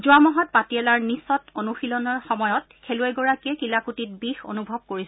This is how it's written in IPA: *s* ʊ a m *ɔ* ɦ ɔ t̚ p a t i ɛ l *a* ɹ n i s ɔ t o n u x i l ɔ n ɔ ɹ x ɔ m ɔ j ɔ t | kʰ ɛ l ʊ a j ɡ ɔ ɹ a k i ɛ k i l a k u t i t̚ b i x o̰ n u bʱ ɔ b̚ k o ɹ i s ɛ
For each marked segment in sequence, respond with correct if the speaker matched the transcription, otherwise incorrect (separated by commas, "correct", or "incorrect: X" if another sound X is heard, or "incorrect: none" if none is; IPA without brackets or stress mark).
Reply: incorrect: z, correct, correct